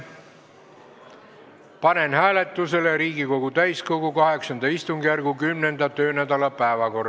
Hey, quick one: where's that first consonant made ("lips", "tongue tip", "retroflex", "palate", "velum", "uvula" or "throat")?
lips